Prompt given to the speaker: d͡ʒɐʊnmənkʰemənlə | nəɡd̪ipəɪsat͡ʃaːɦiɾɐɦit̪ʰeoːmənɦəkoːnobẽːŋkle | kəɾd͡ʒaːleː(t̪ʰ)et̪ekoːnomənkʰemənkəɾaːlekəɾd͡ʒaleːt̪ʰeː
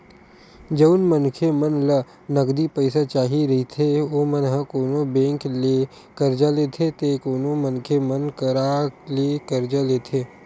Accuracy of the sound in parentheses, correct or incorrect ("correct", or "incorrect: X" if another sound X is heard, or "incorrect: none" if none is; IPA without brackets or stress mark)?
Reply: correct